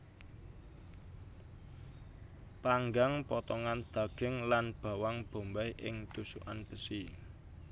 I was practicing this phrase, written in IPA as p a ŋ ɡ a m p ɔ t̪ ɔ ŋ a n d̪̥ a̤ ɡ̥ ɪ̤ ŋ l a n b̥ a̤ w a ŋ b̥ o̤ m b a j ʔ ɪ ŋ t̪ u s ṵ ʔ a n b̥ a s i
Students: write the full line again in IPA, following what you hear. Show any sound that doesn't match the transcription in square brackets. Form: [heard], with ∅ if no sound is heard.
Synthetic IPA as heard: p a ŋ ɡ a [ŋ] p ɔ t̪ ɔ ŋ a n d̪̥ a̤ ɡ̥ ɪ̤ ŋ l a n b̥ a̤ w a ŋ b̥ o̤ m b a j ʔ ɪ ŋ t̪ u s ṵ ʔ a n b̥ [ə] s i